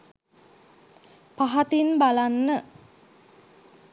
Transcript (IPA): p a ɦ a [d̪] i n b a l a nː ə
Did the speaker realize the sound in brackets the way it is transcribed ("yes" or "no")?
no